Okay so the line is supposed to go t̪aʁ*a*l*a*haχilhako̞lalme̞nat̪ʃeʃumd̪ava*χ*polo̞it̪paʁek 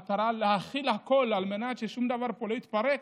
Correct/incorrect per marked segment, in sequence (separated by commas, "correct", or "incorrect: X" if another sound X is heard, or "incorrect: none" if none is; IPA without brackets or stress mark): correct, incorrect: e, incorrect: ʁ